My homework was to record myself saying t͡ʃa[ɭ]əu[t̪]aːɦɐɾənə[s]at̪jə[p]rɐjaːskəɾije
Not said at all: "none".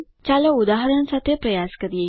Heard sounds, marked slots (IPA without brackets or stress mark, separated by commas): l, d̪, s, p